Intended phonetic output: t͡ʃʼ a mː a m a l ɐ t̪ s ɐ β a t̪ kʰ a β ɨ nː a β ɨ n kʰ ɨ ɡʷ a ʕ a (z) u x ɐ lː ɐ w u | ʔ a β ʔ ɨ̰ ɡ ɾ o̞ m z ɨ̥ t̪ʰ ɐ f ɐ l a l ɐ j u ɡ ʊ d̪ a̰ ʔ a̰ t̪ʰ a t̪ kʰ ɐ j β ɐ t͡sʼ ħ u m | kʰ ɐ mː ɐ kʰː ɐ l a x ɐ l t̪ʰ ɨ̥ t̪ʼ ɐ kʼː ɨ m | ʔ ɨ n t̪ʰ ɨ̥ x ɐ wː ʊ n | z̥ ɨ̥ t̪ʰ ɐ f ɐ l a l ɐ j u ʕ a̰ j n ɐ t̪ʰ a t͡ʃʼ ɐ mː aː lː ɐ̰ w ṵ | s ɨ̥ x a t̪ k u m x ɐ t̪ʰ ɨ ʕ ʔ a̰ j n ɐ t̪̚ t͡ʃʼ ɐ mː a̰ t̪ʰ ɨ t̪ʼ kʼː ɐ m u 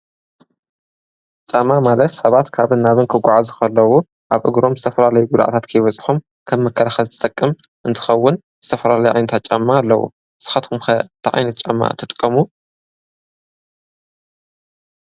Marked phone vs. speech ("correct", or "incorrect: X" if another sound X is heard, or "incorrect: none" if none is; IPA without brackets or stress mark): correct